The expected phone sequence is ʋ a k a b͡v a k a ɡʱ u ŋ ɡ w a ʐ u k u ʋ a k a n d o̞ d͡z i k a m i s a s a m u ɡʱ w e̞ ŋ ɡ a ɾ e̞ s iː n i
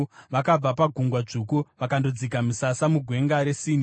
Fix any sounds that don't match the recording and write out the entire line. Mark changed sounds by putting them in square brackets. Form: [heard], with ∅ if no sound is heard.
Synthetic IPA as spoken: ʋ a k a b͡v a [p] a ɡʱ u ŋ ɡ w a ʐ u k u ʋ a k a n d o̞ d͡z i k a m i s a s a m u ɡʱ w e̞ ŋ ɡ a ɾ e̞ s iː n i